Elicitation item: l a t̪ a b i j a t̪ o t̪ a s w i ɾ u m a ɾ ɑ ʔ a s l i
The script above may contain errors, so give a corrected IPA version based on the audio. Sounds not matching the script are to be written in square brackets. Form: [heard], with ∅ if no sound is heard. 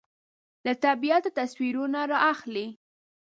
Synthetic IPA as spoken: l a t̪ a b i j a t̪ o t̪ a s w i ɾ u [n] a ɾ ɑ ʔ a [x] l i